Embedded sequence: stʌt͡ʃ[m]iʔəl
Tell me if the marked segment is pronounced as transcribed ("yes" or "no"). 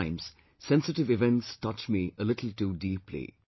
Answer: yes